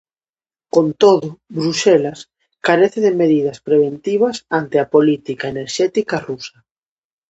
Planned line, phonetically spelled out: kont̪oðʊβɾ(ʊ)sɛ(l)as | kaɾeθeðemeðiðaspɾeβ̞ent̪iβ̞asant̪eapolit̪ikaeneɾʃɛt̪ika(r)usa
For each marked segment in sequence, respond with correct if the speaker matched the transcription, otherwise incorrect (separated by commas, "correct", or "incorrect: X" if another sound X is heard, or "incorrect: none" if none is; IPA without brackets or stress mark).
incorrect: u, correct, correct